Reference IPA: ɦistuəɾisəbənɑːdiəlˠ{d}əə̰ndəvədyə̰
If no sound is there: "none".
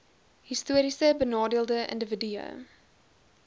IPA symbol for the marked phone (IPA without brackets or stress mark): d